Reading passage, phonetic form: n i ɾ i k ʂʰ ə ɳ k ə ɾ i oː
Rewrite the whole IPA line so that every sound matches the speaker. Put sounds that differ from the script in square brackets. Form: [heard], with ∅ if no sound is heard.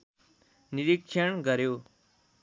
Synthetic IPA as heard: n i ɾ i k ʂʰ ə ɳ [ɡ] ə ɾ [j] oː